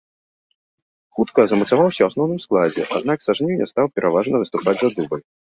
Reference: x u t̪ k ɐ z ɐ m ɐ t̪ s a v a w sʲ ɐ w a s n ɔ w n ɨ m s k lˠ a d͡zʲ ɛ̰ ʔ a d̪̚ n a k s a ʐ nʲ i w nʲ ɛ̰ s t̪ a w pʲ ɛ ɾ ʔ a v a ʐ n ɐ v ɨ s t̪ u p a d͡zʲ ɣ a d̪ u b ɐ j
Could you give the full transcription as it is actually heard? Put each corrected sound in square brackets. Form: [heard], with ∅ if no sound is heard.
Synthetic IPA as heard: x u t̪ k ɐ z ɐ m ɐ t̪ s a v a w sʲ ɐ w a s n ɔ w n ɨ m s k lˠ a d͡zʲ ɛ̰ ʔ a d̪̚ n a k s a ʐ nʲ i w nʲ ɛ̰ s t̪ a w pʲ ɛ ɾ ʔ a v a ʐ n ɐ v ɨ s t̪ u p a d͡zʲ [z] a d̪ u b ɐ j

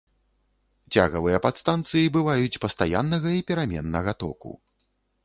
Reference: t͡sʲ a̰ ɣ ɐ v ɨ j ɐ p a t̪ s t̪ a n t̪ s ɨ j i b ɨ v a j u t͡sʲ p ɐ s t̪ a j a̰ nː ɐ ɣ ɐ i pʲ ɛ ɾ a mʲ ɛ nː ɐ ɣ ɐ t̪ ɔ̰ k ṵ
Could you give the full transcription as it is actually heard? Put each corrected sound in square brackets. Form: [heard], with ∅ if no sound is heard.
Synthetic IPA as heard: t͡sʲ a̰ ɣ ɐ v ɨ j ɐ p a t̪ s t̪ a n t̪ s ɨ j i b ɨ v a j u t͡sʲ p ɐ s t̪ a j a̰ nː ɐ ɣ ɐ i pʲ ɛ ɾ a mʲ ɛ nː ɐ ɣ ɐ t̪ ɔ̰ k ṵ

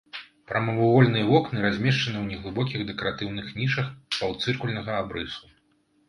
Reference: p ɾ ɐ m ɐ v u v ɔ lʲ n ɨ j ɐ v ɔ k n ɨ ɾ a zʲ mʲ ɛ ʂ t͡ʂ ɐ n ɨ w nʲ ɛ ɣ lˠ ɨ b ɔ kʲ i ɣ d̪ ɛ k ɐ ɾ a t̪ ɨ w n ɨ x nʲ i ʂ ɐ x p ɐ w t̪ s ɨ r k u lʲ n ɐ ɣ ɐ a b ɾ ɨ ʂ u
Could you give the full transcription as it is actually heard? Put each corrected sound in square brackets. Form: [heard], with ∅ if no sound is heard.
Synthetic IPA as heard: p ɾ ɐ m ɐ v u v ɔ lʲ n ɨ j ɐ v ɔ k n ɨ ɾ a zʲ mʲ ɛ ʂ t͡ʂ ɐ n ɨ w nʲ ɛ ɣ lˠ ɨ b ɔ kʲ i ɣ d̪ ɛ k ɐ ɾ a t̪ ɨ w n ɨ x nʲ i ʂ ɐ x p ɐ w t̪ s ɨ r k u lʲ n ɐ ɣ ɐ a b ɾ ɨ [s] u

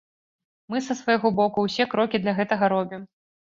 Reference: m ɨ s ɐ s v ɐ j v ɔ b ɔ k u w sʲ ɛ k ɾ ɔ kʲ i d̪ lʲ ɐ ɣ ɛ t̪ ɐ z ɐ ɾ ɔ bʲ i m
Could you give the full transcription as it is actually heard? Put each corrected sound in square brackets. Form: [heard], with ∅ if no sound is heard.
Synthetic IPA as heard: m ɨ s ɐ s v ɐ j [ɣ] ɔ b ɔ k u w sʲ ɛ k ɾ ɔ kʲ i d̪ lʲ ɐ ɣ ɛ t̪ ɐ [ɣ] ɐ ɾ ɔ bʲ i m

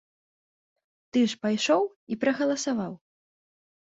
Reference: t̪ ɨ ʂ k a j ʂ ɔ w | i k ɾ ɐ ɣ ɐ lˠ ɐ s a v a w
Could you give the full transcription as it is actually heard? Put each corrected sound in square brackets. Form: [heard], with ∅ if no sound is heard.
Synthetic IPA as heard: t̪ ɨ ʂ [p] a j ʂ ɔ w | i [p] ɾ ɐ ɣ ɐ lˠ ɐ s a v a w

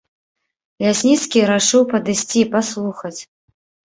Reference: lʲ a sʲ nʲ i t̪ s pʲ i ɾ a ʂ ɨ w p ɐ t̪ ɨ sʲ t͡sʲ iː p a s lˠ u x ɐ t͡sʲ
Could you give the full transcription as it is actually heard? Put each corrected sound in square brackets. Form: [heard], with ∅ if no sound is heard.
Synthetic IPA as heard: lʲ a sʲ nʲ i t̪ s [kʲ] i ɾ a ʂ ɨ w p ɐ [d̪] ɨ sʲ t͡sʲ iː p a s lˠ u x ɐ t͡sʲ

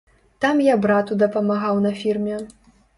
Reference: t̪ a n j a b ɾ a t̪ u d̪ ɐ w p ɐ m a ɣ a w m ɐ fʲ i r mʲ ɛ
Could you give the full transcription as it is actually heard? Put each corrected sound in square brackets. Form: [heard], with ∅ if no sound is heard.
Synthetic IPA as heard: t̪ a [m] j a b ɾ a t̪ u d̪ ɐ [∅] p ɐ m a ɣ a w [n] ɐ fʲ i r mʲ ɛ

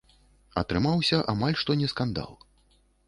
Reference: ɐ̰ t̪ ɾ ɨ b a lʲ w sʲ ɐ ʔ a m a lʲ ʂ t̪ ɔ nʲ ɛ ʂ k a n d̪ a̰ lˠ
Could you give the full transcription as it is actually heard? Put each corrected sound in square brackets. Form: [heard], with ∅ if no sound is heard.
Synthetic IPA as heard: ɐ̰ t̪ ɾ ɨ [m] a [∅] w sʲ ɐ ʔ a m a lʲ ʂ t̪ ɔ nʲ ɛ [s] k a n d̪ a̰ lˠ

